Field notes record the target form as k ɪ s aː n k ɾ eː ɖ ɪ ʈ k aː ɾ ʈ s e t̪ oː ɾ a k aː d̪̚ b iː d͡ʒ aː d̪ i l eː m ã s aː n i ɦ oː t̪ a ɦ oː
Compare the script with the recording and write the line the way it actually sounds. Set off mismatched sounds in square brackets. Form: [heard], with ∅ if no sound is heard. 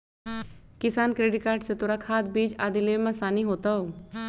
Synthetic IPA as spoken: k ɪ s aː n k ɾ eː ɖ ɪ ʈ k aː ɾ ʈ s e t̪ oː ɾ a [kʰ] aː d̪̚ b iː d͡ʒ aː d̪ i l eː m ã s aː n i ɦ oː t̪ a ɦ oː